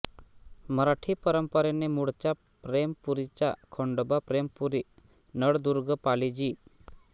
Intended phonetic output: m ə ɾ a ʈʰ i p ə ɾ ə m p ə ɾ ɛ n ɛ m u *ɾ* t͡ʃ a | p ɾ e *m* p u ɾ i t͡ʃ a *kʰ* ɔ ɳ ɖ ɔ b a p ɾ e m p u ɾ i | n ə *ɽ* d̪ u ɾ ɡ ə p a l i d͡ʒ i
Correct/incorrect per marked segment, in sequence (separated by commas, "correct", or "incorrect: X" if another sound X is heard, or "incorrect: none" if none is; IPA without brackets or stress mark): incorrect: ɽ, correct, correct, correct